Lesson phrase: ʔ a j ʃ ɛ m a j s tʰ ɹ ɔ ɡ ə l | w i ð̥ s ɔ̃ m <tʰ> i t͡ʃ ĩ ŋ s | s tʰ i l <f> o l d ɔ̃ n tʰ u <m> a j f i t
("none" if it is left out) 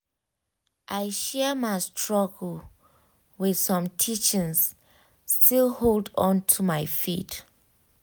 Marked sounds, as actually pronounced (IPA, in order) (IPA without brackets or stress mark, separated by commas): tʰ, h, m